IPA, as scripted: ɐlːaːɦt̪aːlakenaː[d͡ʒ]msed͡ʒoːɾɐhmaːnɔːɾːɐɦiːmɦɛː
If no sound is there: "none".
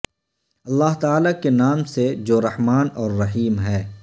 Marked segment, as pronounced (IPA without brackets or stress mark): none